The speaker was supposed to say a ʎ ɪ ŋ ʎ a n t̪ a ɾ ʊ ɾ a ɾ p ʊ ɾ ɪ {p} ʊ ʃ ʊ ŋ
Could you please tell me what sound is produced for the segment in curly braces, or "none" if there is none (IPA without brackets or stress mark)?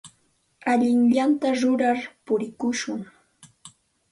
k